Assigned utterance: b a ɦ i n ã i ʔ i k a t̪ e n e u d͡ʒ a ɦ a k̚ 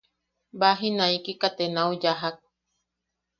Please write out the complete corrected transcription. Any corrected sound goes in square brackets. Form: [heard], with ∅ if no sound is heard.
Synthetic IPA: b a ɦ i n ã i [k] i k a t̪ e n [a] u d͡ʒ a ɦ a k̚